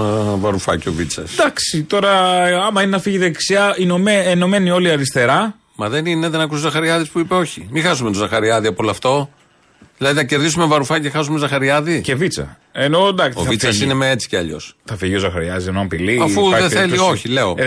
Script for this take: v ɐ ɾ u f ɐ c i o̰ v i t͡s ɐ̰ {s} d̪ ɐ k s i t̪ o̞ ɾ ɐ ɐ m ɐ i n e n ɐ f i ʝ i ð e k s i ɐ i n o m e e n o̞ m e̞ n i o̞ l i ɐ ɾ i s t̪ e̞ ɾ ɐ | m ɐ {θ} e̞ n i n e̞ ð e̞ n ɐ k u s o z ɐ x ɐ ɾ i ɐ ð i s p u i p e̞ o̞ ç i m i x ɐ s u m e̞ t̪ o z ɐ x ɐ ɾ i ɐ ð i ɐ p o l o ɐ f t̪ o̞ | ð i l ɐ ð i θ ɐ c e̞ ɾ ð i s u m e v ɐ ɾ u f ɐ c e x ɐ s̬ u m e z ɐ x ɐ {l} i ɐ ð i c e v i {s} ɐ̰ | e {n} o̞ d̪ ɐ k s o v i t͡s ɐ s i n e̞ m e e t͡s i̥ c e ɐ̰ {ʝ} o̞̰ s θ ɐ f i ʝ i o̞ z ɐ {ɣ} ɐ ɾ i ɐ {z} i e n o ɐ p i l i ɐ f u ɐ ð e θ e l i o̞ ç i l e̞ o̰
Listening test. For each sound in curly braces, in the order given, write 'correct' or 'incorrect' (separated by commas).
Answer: correct, incorrect, incorrect, incorrect, correct, incorrect, incorrect, correct